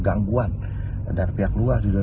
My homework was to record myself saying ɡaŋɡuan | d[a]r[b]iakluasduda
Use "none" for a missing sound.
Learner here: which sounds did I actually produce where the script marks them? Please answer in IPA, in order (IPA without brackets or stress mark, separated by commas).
a, p